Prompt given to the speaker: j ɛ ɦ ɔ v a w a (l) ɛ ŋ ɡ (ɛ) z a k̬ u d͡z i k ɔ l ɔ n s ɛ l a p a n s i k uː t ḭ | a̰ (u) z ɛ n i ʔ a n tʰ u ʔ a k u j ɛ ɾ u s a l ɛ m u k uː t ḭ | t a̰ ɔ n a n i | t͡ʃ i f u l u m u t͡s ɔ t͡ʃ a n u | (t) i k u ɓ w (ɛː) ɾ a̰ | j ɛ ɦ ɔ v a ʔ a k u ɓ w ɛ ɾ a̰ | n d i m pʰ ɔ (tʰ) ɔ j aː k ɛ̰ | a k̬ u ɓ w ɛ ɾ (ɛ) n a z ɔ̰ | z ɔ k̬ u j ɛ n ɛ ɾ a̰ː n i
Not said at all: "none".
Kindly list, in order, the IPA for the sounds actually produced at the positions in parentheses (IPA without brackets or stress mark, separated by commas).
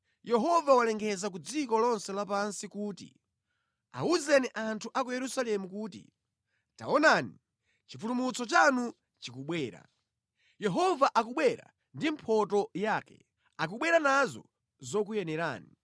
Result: l, ɛ, u, t͡ʃ, ɛː, t, a